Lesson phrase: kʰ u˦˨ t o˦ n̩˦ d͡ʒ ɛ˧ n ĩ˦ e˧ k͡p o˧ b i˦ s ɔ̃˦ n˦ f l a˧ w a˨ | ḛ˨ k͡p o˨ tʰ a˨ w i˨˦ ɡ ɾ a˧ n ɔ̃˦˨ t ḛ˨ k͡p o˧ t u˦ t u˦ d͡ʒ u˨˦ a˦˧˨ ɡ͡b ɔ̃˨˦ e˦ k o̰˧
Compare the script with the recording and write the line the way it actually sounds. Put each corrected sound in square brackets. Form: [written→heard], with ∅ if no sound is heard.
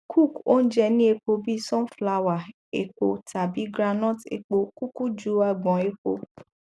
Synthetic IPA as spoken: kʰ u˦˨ [t→k] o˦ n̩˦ d͡ʒ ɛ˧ n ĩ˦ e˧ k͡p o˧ b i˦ s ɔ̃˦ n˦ f l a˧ w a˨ | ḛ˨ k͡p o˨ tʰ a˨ [w→b] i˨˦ ɡ ɾ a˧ n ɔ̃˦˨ t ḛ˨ k͡p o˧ [t→k] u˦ [t→k] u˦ d͡ʒ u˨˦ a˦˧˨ ɡ͡b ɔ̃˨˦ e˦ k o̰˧

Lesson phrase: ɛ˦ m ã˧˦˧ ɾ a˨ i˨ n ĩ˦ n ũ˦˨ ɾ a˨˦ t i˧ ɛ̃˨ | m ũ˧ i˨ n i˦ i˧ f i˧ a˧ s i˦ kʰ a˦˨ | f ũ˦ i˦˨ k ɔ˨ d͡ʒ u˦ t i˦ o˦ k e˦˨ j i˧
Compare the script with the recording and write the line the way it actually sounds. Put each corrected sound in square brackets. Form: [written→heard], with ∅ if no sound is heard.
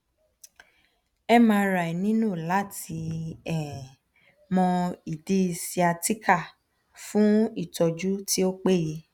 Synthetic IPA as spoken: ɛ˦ m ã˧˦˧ ɾ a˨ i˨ n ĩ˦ n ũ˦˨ [ɾ→l] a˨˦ t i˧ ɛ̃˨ | m [ũ˧→ɔ̃˧] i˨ [n→d] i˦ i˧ [f→s] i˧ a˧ [s→t] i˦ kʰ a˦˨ | f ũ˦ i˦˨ [k→t] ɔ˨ d͡ʒ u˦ t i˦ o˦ [k→k͡p] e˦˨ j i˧

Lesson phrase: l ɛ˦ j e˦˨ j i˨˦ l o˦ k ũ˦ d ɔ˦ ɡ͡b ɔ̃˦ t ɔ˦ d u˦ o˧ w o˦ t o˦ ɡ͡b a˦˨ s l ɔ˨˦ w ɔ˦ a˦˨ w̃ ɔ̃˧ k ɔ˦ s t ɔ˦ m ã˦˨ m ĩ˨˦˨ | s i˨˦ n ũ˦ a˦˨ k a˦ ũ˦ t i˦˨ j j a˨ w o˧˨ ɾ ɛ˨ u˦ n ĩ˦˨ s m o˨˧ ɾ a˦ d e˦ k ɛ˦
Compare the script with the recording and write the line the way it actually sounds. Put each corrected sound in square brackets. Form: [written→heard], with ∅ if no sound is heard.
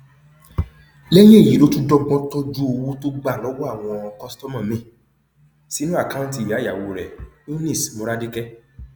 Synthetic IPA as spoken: l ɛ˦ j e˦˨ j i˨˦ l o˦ [k→t] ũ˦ d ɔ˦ ɡ͡b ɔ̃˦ t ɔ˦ [d→d͡ʒ] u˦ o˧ w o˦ t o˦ ɡ͡b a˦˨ [s→∅] l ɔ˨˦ w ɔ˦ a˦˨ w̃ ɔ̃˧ k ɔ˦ s t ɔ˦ m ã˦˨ m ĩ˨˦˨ | s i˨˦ n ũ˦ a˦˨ k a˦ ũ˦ t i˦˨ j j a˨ w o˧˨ ɾ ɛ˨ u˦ n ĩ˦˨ s m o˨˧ ɾ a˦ d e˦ k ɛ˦

